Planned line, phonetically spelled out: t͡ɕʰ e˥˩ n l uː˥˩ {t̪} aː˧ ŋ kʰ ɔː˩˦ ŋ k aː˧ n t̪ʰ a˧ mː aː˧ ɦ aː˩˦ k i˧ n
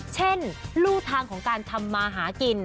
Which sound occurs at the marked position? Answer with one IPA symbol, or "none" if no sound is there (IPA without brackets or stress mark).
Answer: t̪ʰ